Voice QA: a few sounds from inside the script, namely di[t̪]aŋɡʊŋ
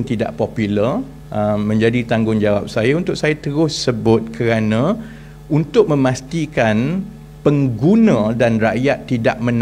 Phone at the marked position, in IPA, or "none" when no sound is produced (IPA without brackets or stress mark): t̪